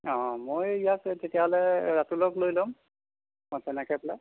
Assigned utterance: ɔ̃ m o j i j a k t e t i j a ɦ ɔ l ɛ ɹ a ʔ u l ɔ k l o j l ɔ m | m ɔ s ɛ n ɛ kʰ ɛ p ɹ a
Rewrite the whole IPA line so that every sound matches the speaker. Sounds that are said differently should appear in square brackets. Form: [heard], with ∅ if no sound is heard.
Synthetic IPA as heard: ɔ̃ m o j i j a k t e t i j a ɦ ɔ l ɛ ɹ a [t] u l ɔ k l o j l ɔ m | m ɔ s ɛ n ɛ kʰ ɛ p [l] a